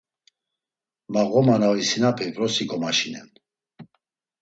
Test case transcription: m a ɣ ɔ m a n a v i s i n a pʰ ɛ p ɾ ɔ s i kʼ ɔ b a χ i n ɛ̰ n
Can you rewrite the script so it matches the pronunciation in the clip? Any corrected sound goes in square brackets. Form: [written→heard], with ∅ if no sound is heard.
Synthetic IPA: m a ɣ ɔ m a n a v i s i n a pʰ ɛ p ɾ ɔ s i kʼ ɔ [b→m] a [χ→ʃ] i n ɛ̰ n